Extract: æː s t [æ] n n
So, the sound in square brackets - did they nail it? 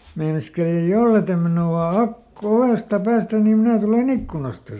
yes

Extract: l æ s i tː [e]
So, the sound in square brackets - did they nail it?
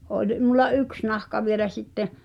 yes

